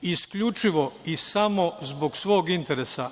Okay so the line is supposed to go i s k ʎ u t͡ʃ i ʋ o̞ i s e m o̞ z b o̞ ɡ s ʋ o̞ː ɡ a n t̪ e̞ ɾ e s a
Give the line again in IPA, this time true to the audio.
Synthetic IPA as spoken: i s k ʎ u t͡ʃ i ʋ o̞ i s a m o̞ z b o̞ ɡ s ʋ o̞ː ɡ i n t̪ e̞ ɾ e s a